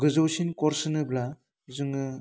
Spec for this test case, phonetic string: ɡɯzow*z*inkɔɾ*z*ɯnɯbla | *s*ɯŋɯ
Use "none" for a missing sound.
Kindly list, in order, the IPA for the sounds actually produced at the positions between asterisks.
s, s, z

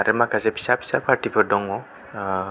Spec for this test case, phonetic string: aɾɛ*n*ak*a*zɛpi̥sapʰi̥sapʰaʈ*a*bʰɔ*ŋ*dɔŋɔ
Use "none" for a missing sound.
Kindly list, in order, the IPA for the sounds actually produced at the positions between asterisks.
m, a, i, none

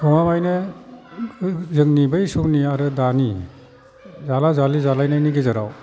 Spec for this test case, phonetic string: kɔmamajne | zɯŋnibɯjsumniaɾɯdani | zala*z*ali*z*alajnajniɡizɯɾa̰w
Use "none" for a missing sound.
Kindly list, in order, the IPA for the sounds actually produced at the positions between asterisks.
z, z

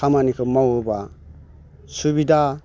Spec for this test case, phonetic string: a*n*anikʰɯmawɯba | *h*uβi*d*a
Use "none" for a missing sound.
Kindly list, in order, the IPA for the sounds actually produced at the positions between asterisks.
m, s, d

